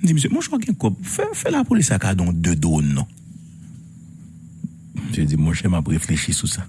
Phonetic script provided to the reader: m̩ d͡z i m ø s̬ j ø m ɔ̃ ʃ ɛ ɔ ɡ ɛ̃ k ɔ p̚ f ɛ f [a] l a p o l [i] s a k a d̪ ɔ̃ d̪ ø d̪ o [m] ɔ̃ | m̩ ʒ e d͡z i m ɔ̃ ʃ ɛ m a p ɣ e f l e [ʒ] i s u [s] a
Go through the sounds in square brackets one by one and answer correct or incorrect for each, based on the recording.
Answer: incorrect, correct, incorrect, incorrect, correct

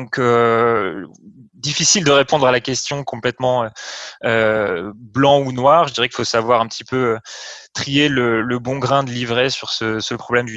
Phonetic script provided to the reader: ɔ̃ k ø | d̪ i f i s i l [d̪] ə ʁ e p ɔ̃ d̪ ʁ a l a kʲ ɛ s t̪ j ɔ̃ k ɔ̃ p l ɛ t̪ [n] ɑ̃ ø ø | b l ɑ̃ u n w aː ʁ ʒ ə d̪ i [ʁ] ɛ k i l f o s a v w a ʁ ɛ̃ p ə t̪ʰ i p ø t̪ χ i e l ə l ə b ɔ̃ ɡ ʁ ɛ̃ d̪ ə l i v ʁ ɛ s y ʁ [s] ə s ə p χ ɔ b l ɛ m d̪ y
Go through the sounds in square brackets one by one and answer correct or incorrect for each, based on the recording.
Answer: correct, incorrect, correct, correct

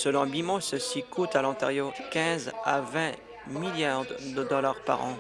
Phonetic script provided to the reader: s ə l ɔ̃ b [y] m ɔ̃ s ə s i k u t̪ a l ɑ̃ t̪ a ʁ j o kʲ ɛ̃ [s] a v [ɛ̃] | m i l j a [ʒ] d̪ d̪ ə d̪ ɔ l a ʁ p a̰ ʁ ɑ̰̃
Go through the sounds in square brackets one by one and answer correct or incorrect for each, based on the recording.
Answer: incorrect, incorrect, correct, incorrect

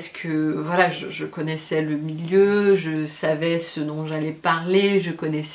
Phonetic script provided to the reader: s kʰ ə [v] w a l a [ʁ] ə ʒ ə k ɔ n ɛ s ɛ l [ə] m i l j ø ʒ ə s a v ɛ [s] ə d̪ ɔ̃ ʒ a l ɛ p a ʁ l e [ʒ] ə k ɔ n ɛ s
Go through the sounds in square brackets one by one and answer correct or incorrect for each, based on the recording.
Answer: correct, incorrect, correct, correct, correct

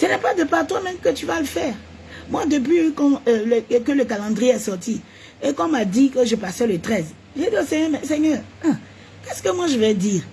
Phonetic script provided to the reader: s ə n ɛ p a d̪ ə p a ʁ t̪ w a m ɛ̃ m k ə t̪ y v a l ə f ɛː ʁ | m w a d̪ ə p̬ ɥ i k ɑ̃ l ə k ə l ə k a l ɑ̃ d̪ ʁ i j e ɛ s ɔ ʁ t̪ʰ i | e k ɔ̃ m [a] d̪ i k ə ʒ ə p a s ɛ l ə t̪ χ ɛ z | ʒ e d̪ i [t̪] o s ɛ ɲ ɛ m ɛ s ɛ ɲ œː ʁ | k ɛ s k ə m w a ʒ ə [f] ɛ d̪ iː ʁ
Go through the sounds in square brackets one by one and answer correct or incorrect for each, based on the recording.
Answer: correct, incorrect, incorrect

